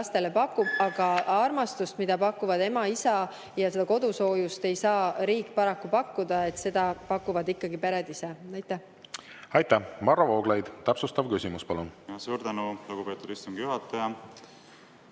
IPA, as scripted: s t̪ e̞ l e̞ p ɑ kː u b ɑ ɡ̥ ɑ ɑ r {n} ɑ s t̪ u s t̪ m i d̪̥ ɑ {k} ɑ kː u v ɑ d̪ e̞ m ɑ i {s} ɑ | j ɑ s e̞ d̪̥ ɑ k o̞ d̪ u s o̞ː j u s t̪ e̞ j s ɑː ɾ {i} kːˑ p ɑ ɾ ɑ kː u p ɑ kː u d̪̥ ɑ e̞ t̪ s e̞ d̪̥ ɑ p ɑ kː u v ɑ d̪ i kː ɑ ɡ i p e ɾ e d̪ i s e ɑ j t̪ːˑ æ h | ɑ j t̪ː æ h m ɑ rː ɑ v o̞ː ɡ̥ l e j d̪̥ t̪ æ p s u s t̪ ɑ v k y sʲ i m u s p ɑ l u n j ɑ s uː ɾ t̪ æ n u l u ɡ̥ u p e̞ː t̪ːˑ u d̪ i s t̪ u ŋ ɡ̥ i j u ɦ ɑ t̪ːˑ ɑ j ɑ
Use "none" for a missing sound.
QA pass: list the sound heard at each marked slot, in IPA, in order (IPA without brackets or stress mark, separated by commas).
m, p, s, iː